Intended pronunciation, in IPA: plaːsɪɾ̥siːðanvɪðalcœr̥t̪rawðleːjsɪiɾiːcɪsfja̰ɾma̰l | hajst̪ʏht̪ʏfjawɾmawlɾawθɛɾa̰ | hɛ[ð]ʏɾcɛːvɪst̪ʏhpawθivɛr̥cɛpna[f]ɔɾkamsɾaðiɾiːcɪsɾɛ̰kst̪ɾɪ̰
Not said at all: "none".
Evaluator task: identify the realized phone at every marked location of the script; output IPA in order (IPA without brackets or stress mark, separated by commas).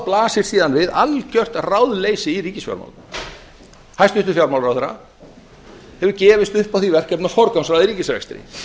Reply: v, f